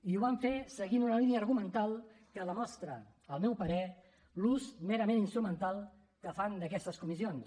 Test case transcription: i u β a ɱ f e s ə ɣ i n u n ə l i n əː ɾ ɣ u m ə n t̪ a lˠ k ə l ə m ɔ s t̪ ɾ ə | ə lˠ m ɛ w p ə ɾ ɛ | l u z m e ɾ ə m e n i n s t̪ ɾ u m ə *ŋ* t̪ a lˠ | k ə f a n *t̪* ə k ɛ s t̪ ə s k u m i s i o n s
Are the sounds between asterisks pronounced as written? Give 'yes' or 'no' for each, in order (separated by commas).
no, no